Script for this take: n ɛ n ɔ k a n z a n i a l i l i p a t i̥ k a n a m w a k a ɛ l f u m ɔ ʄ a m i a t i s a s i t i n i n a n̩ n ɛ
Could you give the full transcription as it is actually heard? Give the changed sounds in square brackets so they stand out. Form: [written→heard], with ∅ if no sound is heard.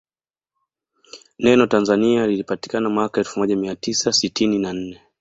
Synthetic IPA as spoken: n ɛ n ɔ [k→t] a n z a n i a l i l i p a t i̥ k a n a m w a k a ɛ l f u m ɔ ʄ a m i a t i s a s i t i n i n a n̩ n ɛ